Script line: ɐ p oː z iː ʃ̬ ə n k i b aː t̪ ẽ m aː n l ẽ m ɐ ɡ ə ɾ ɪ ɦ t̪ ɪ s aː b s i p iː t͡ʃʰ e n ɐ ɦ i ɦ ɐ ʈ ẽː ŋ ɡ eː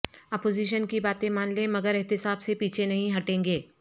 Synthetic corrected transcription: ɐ p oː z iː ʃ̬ ə n k i b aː t̪ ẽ m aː n l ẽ m ɐ ɡ ə ɾ ɪ ɦ t̪ ɪ s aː b s e p iː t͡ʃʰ e n ɐ ɦ ĩ ɦ ɐ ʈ ẽː ŋ ɡ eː